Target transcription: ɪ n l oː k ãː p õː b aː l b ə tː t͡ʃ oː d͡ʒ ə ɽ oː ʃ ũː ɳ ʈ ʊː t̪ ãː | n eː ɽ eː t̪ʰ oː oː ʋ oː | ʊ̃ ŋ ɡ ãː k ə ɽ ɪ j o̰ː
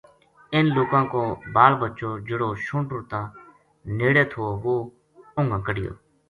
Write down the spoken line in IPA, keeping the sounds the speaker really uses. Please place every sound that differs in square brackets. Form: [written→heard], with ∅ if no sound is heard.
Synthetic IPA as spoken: ɪ n l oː k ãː [p→k] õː b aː l b ə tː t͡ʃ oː d͡ʒ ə ɽ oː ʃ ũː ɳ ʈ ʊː t̪ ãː | n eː ɽ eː t̪ʰ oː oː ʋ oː | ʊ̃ ŋ ɡ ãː k ə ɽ ɪ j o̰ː